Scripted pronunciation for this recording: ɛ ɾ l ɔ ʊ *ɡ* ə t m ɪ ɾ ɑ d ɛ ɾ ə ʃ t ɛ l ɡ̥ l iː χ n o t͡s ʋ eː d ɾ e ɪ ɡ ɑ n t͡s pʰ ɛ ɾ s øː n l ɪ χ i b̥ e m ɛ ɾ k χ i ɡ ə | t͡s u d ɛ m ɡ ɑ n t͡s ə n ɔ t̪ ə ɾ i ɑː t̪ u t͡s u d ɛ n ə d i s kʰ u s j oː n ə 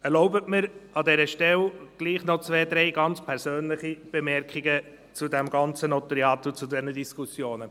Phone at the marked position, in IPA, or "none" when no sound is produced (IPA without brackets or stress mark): b